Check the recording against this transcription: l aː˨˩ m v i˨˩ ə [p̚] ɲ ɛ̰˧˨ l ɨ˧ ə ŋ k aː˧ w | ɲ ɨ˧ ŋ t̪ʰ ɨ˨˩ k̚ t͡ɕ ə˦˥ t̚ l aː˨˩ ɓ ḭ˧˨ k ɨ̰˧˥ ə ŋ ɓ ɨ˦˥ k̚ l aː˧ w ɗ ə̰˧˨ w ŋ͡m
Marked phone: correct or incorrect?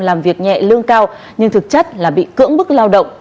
incorrect